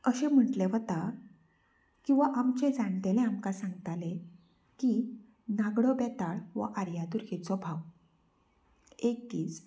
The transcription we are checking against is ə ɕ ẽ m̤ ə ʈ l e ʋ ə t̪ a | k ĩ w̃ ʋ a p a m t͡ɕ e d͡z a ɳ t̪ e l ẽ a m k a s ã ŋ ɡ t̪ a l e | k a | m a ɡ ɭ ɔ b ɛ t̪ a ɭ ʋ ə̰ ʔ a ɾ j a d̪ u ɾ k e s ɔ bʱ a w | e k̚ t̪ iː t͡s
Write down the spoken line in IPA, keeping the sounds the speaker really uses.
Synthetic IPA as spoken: ə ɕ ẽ m̤ ə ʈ l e ʋ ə t̪ a | k ĩ w̃ ʋ a ʔ a m t͡ɕ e d͡z a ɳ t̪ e l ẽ a m k a s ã ŋ ɡ t̪ a l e | k i | n a ɡ ɽ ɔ b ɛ t̪ a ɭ ʋ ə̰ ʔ a ɾ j a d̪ u ɾ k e t͡s ɔ bʱ a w | e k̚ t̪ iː t͡s